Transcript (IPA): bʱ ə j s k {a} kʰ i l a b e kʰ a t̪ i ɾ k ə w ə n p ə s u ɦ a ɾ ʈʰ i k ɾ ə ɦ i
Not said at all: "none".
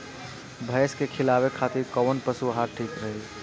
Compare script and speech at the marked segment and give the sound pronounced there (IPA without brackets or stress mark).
e